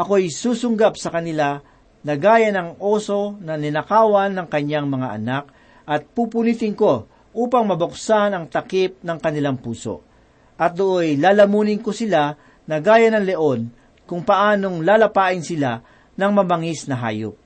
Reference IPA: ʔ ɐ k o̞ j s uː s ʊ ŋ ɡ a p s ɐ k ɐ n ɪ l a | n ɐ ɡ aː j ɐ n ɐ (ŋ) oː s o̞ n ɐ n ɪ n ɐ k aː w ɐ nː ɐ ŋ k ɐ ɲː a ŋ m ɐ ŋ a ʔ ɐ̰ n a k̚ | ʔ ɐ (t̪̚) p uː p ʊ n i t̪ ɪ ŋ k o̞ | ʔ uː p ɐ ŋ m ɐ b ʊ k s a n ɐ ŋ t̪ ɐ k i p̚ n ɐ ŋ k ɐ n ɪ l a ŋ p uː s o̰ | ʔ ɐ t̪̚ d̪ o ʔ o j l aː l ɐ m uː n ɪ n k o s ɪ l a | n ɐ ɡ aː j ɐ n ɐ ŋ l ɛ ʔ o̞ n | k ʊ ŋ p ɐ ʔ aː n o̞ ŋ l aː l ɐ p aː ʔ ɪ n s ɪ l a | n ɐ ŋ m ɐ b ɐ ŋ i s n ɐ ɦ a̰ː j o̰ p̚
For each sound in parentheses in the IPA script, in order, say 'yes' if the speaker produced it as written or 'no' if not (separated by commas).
yes, yes